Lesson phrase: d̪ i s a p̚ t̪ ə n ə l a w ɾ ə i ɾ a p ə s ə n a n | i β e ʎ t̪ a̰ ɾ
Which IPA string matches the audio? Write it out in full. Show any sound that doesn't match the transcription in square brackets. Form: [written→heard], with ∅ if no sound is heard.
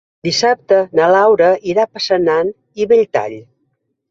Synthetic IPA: d̪ i s a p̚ t̪ ə n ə l a w ɾ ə i ɾ a p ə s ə n a n | i β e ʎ t̪ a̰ [ɾ→ʎ]